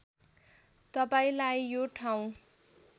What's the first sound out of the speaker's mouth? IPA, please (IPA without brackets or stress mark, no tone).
t̪